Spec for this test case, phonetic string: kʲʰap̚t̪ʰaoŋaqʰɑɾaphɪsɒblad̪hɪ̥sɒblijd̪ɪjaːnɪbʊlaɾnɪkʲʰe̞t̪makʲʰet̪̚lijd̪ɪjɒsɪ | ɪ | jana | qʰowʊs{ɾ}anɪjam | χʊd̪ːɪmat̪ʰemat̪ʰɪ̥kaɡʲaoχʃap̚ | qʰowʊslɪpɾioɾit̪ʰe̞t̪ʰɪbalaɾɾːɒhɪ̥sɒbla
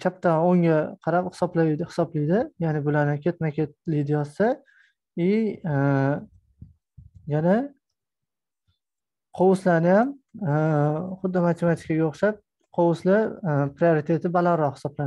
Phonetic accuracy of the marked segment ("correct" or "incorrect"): incorrect